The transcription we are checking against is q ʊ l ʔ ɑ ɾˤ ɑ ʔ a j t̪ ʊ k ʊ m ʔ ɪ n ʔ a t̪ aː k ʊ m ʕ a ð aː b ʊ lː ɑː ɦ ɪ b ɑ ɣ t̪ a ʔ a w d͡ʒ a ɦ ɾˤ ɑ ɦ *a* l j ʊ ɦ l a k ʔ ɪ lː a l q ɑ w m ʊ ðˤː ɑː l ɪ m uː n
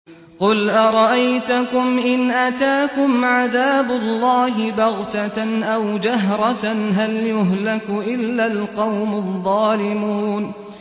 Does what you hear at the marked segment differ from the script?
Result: no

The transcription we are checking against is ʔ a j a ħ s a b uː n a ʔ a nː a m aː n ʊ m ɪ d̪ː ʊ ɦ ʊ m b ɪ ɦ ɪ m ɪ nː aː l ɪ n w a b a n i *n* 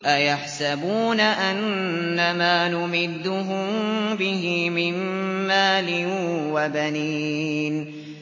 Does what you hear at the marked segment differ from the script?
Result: no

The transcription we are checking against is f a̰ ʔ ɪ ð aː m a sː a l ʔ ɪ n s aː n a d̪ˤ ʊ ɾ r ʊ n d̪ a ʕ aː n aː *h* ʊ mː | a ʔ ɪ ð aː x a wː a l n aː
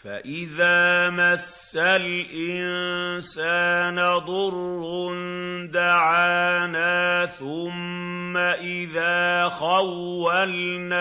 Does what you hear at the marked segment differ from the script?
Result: yes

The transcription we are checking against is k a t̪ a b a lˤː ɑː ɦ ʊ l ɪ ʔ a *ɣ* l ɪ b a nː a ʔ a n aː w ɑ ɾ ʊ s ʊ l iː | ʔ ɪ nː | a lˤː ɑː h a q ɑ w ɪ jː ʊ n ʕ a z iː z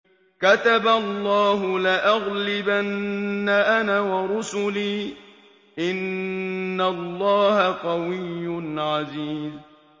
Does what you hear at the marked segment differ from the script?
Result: no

